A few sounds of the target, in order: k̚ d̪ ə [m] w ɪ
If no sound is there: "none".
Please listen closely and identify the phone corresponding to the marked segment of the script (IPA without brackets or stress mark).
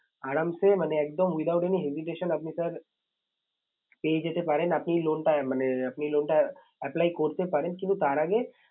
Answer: m